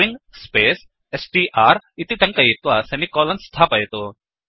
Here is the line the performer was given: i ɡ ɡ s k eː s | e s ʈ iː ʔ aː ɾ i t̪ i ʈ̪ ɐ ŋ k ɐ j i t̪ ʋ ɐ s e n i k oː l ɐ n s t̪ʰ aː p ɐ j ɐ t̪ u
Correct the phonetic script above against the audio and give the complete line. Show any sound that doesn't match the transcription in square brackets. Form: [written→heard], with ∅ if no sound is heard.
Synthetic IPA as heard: i [ɡ→ŋ] ɡ s [k→p] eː s | e s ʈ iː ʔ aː ɾ i t̪ i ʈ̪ ɐ ŋ k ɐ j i t̪ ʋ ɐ s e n i k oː l ɐ n s t̪ʰ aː p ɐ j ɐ t̪ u